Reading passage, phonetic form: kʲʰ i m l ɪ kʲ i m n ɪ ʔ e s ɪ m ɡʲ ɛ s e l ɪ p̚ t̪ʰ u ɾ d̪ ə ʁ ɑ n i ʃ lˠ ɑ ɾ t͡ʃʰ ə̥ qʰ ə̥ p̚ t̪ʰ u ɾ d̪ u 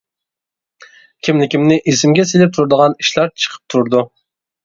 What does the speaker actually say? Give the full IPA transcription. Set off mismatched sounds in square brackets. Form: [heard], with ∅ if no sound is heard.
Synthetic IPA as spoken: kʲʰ i m l ɪ kʲ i m n ɪ ʔ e s ɪ m ɡʲ ɛ s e l ɪ p̚ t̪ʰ u ɾ d̪ ə ʁ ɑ n i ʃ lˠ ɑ ɾ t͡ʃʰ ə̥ qʰ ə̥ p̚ t̪ʰ u ɾ d̪ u